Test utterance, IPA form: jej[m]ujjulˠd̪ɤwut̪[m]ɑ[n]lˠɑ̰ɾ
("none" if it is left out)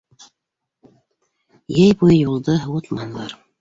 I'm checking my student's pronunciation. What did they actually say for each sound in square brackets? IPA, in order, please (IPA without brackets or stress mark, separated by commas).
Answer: b, m, n